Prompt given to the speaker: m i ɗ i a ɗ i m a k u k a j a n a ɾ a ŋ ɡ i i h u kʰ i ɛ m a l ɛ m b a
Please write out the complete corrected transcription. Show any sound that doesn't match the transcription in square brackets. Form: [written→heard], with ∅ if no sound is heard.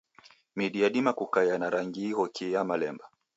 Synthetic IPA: m i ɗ i a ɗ i m a k u k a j a n a ɾ a ŋ ɡ i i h [u→ɔ] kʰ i [ɛ→a] m a l ɛ m b a